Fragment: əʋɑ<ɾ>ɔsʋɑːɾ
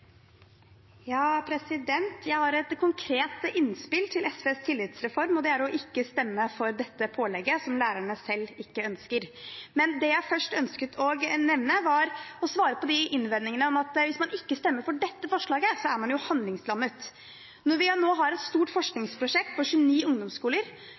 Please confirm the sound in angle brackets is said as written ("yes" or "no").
yes